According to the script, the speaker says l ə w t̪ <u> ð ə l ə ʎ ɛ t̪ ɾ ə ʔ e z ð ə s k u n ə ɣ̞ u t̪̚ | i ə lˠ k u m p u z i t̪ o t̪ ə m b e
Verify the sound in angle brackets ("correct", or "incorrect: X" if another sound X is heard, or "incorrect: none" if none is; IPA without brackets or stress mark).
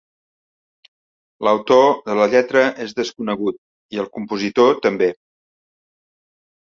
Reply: incorrect: o